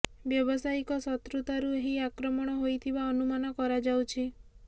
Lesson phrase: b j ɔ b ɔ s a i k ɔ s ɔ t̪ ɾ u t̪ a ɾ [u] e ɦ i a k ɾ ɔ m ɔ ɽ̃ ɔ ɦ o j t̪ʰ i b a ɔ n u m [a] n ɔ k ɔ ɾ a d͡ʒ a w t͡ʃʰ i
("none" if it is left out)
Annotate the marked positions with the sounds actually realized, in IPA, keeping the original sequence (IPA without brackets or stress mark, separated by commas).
u, a